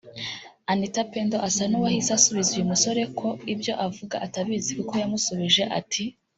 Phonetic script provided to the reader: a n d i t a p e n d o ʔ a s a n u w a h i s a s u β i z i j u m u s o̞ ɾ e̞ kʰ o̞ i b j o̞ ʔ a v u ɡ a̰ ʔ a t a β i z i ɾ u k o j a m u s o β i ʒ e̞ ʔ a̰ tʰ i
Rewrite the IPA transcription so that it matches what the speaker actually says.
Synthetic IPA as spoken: a n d i t a p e n d o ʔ a s a n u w a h i s a s u β i z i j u m u s o̞ ɾ e̞ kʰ o̞ i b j o̞ ʔ a v u ɡ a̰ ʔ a t a β i z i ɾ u k o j a m u s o β i ʒ e̞ ʔ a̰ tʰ i